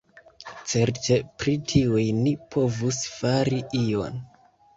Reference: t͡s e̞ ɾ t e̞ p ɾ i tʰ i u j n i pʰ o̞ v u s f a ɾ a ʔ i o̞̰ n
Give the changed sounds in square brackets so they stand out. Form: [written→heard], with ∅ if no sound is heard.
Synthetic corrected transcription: t͡s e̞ ɾ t e̞ p ɾ i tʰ i u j n i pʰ o̞ v u s f a ɾ [a→i] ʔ i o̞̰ n